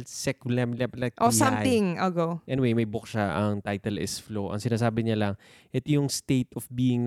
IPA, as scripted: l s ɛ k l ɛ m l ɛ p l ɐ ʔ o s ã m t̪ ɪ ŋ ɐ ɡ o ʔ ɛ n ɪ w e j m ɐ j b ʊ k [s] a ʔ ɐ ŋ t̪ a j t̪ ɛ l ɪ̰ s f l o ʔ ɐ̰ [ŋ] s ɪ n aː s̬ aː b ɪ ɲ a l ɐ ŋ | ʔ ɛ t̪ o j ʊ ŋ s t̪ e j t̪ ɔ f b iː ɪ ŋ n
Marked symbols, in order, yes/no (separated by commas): no, yes